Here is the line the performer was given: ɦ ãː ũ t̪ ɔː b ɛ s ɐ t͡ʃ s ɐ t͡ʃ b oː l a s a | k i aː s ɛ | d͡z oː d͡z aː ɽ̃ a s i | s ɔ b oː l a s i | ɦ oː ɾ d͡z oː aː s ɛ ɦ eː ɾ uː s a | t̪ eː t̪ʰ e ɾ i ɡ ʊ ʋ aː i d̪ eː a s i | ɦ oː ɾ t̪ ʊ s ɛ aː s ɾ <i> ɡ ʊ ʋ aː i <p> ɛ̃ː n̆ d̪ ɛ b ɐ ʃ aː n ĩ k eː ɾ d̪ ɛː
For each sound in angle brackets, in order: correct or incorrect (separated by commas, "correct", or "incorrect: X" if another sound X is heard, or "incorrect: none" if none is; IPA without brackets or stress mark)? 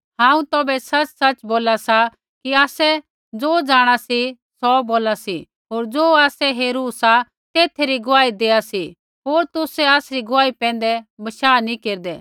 correct, correct